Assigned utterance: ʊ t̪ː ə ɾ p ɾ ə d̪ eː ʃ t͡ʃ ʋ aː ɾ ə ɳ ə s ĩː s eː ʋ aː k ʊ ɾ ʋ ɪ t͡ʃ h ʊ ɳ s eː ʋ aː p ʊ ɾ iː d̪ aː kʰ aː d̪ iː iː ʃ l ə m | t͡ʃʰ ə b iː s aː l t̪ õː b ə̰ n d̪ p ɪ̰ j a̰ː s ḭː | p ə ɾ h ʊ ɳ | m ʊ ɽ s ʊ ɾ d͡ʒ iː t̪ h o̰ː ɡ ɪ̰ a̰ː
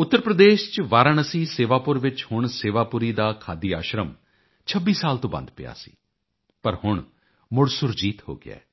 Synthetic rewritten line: ʊ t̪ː ə ɾ p ɾ ə d̪ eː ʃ t͡ʃ ʋ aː ɾ ə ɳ ə s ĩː s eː ʋ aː p ʊ ɾ ʋ ɪ t͡ʃ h ʊ ɳ s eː ʋ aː p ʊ ɾ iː d̪ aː kʰ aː d̪ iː aː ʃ ɾ ə m | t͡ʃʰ ə b iː s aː l t̪ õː b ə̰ n d̪ p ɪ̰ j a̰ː s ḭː | p ə ɾ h ʊ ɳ | m ʊ ɽ s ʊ ɾ d͡ʒ iː t̪ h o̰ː ɡ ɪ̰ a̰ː